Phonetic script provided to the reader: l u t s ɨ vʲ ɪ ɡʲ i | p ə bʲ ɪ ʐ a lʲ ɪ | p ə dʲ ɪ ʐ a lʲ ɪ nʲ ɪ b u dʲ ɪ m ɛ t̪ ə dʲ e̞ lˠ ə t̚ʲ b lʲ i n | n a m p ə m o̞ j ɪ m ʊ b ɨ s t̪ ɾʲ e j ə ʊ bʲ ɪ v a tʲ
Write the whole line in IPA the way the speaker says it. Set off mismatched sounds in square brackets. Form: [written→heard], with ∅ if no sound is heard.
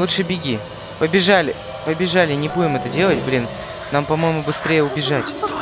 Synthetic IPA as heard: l u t [s→ʂ] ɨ [vʲ→bʲ] ɪ ɡʲ i | p ə bʲ ɪ ʐ a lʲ ɪ | p ə [dʲ→bʲ] ɪ ʐ a lʲ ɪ nʲ ɪ b u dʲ ɪ m ɛ t̪ ə dʲ e̞ lˠ ə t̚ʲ b lʲ i n | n a m p [ə→ɐ] m o̞ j ɪ m ʊ b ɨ s t̪ ɾʲ e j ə ʊ bʲ ɪ [v→ʐ] a tʲ